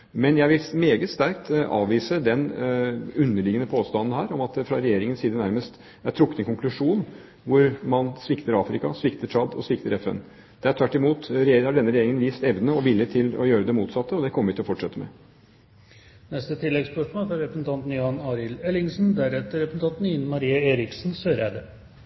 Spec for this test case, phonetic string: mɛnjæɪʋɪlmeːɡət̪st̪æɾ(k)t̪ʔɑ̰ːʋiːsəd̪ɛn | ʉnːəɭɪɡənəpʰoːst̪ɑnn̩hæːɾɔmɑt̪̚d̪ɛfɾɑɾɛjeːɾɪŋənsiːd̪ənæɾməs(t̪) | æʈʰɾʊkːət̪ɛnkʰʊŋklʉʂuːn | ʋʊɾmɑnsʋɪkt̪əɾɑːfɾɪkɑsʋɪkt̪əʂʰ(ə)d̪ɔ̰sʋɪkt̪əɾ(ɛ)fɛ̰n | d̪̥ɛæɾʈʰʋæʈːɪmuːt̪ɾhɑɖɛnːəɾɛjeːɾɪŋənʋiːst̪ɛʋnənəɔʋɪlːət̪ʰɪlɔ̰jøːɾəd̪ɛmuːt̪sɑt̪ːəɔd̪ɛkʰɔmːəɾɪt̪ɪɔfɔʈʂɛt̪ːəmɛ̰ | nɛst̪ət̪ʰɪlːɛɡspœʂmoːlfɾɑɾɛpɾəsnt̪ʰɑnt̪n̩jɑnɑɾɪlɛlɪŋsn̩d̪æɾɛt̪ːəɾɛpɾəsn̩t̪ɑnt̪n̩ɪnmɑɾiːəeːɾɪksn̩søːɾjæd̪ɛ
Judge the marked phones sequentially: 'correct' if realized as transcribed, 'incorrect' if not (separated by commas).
correct, correct, incorrect, correct